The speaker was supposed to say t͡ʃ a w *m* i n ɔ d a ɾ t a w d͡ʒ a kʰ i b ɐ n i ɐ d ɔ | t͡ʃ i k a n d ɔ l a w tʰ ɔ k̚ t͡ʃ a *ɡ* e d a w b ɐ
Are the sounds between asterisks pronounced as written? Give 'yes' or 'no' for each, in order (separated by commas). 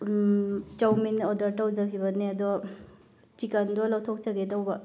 yes, yes